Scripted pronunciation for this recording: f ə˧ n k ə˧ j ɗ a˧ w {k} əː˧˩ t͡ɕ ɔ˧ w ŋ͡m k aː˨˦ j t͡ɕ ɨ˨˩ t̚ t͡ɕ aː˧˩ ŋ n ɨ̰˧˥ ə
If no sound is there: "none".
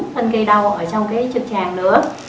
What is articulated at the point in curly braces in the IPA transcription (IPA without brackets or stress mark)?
ʔ